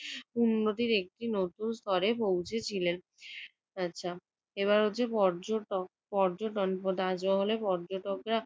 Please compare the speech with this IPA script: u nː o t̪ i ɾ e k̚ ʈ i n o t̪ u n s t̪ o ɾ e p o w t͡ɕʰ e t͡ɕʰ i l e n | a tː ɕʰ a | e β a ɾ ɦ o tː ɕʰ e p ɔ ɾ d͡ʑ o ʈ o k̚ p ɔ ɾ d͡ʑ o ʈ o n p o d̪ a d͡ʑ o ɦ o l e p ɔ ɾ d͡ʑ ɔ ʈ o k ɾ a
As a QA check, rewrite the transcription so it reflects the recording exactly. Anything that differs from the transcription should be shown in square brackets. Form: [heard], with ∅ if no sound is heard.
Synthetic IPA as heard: u nː o t̪ i ɾ e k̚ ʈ i n o t̪ u n s t̪ [ɔ] ɾ e p o w t͡ɕʰ e t͡ɕʰ i l e n | a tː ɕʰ a | e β a ɾ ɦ o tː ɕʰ e p ɔ ɾ d͡ʑ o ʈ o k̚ p ɔ ɾ d͡ʑ o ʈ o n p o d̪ a d͡ʑ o ɦ o l e p ɔ ɾ d͡ʑ [o] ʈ o k ɾ a